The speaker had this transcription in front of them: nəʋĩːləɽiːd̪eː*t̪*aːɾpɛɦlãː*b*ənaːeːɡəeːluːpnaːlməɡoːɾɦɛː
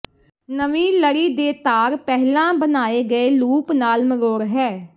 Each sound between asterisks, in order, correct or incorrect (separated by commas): correct, correct